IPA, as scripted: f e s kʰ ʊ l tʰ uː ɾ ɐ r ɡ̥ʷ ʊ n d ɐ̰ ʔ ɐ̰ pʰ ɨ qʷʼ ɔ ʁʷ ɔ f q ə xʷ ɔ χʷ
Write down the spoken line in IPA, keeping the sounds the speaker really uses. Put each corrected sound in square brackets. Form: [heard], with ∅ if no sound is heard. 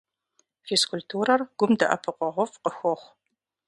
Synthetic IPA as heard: f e s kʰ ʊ l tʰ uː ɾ ɐ r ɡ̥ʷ ʊ [m] d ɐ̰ ʔ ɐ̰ pʰ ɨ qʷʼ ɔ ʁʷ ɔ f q ə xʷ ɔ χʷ